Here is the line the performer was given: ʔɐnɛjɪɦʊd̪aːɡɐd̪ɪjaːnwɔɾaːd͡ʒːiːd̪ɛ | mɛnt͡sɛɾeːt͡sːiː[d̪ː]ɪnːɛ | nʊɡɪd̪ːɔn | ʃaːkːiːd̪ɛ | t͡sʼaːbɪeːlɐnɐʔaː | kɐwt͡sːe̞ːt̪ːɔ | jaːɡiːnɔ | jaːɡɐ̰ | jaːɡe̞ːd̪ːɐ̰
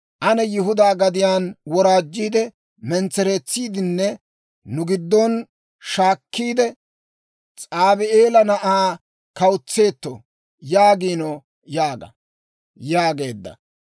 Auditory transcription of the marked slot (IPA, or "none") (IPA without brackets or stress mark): d̪